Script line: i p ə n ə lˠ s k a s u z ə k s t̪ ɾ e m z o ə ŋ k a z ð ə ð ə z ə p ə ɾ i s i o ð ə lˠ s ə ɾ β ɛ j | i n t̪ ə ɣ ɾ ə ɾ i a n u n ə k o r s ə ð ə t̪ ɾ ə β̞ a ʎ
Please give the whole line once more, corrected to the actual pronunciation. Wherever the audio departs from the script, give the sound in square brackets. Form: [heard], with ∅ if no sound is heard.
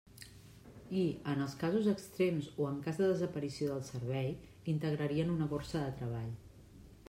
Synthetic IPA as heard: i [∅] ə n ə lˠ s k a [z] u z ə k s t̪ ɾ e m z o ə ŋ k a z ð ə ð ə z ə p ə ɾ i s i o ð ə lˠ s ə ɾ β ɛ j | i n t̪ ə ɣ ɾ ə ɾ i [ə] n u n ə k o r s ə ð ə t̪ ɾ ə β̞ a ʎ